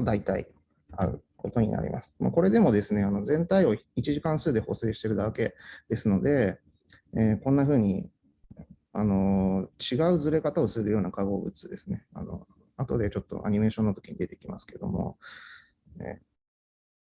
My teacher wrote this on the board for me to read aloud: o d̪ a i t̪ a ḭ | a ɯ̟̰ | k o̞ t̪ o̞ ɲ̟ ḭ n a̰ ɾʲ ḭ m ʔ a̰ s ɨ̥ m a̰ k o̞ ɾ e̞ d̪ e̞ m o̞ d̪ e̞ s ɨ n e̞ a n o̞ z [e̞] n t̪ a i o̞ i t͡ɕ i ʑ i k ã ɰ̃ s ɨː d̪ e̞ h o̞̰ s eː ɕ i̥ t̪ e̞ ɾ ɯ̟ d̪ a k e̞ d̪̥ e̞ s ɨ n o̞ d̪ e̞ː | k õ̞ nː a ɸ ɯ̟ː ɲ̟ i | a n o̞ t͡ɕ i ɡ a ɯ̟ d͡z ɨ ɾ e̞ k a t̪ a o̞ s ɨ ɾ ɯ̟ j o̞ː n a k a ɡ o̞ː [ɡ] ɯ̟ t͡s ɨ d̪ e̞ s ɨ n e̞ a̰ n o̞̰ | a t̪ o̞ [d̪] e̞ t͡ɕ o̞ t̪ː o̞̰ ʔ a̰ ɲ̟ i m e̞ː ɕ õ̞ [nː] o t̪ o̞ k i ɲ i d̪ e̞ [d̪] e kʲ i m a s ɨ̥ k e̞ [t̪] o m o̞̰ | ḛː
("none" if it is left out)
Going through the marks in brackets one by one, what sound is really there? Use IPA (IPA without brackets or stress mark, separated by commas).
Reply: ẽ̞, b, d̪, nː, t̪, d̪